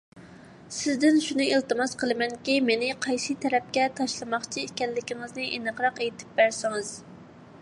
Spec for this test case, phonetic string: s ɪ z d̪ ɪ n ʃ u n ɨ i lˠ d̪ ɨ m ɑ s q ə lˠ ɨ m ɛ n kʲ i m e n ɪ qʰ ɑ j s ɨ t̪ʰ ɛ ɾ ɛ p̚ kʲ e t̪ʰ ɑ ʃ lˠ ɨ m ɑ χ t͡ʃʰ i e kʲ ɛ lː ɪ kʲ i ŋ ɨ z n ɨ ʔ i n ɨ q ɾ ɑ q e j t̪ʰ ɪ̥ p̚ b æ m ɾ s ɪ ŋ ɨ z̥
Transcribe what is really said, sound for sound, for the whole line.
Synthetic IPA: s ɪ z d̪ ɪ n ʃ u n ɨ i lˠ t̪ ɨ m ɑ s q ə lˠ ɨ m ɛ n kʲ i m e n ɪ qʰ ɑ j s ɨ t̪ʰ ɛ ɾ ɛ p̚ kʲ ɛ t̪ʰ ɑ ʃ lˠ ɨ m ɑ χ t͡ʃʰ i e kʲ ɛ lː ɪ kʲ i ŋ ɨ z n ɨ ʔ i n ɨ q ɾ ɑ q e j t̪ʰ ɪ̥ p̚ b æ ɾ s ɪ ŋ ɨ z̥